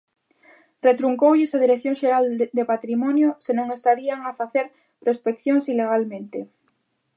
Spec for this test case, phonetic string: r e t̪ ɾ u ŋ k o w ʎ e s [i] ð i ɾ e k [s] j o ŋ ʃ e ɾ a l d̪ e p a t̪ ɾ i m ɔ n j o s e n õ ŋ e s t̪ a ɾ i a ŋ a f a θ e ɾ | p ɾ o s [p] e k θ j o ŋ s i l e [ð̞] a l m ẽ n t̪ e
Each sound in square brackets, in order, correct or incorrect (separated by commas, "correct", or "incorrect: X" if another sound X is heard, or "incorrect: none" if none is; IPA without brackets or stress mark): incorrect: a, incorrect: θ, correct, incorrect: ɣ̞